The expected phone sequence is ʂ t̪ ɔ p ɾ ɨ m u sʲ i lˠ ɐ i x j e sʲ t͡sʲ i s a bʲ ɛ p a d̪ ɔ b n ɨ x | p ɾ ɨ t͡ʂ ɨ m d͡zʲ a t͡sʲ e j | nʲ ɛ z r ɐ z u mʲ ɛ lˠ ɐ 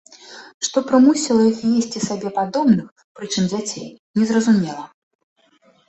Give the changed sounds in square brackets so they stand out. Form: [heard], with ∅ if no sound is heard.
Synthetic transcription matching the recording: ʂ t̪ ɔ p ɾ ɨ m u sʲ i lˠ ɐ i x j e sʲ t͡sʲ i s a bʲ ɛ p a d̪ ɔ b n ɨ x | p ɾ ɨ t͡ʂ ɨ m d͡zʲ a t͡sʲ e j | nʲ ɛ z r ɐ z u mʲ ɛ lˠ ɐ